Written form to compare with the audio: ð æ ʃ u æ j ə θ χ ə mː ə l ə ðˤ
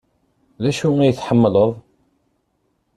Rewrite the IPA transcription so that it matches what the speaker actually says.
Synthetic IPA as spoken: ð æ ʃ u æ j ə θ ħ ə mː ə l ə ðˤ